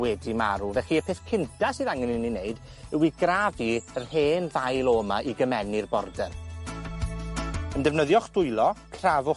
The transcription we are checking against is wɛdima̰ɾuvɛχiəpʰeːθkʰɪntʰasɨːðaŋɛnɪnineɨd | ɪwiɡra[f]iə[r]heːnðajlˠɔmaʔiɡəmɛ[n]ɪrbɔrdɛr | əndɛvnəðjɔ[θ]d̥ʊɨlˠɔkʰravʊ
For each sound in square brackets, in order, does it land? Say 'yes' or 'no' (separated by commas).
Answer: no, yes, yes, no